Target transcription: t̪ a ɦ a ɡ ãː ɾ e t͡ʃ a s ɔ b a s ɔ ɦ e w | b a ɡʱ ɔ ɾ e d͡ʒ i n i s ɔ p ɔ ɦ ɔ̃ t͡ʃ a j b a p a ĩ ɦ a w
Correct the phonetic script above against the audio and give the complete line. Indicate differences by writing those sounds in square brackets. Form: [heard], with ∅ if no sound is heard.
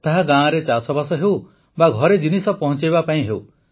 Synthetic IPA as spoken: t̪ a ɦ a ɡ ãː ɾ e t͡ʃ a s ɔ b a s ɔ ɦ e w | b a ɡʱ ɔ ɾ e d͡ʒ i n i s ɔ p ɔ ɦ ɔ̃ t͡ʃ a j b a p a ĩ ɦ [e] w